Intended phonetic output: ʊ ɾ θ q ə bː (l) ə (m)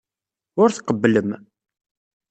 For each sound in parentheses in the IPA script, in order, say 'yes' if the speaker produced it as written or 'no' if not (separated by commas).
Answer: yes, yes